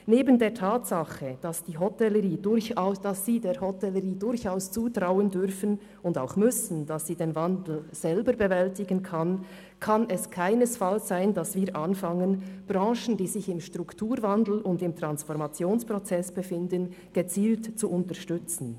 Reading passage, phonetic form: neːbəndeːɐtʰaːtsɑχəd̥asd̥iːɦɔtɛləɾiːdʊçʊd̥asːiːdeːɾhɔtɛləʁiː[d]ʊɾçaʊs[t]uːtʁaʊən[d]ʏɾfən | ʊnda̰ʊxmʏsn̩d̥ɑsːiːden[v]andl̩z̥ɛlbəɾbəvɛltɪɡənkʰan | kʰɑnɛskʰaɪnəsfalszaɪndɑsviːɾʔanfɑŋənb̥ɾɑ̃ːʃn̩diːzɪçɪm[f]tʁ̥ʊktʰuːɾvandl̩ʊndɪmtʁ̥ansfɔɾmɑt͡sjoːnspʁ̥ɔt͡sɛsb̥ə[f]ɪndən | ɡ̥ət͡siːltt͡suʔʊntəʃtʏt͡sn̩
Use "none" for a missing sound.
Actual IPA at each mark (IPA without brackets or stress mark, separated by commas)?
d, t͡s, d, v, ʃ, f